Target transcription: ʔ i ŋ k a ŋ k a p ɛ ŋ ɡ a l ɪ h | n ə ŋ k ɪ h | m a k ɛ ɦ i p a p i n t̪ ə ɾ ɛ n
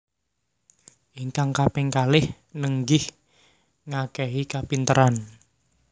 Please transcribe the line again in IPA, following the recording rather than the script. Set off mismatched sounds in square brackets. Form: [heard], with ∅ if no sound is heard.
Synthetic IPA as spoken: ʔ i ŋ k a ŋ k a p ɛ ŋ [k] a l ɪ h | n ə ŋ [ɡ] ɪ h | [ŋ] a k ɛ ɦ i [k] a p i n t̪ ə ɾ [a] n